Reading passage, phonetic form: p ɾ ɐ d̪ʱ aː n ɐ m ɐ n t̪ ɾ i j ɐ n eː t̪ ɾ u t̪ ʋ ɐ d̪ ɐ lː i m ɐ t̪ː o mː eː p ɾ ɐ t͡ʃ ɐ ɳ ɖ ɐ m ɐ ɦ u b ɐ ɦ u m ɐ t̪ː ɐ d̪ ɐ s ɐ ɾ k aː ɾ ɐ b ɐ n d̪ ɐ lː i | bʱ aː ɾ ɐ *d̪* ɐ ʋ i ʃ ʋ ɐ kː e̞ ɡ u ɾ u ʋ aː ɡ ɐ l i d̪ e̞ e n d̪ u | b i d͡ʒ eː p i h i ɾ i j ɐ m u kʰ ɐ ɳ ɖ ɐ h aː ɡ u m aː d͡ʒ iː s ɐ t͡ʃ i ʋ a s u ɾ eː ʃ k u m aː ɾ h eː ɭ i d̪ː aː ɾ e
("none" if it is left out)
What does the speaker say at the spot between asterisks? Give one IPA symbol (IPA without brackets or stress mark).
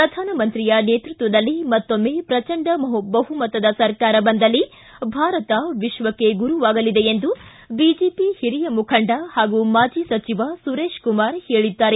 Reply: t̪